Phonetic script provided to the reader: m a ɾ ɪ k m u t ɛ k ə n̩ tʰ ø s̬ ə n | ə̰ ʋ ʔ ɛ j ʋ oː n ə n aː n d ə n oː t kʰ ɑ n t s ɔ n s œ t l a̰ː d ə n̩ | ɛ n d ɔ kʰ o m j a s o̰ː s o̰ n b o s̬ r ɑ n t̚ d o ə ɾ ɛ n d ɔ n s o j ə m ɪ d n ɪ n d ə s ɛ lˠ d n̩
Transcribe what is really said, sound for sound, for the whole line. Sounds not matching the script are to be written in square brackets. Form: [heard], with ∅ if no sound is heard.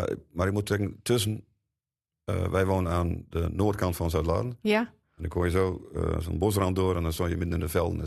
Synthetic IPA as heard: m a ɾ ɪ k m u t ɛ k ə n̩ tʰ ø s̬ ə n | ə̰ ʋ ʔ ɛ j ʋ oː n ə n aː n d ə n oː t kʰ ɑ n t [f] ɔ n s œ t l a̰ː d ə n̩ | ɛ n d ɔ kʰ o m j [ə] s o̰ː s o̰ n b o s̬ r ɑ n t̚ d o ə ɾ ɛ n d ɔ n s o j ə m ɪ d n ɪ n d ə [f] ɛ lˠ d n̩